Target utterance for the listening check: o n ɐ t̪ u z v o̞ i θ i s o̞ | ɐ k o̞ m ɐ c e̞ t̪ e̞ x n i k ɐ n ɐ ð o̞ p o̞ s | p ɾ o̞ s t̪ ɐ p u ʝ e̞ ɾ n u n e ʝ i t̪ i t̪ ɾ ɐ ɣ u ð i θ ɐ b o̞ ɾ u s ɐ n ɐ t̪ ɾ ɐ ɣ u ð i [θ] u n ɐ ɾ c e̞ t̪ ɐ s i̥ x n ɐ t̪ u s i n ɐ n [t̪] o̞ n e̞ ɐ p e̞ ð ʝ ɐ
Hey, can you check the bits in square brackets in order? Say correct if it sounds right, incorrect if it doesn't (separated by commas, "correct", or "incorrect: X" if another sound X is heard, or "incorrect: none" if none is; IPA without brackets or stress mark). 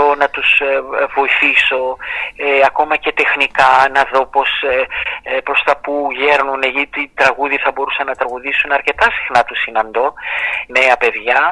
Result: incorrect: s, incorrect: d̪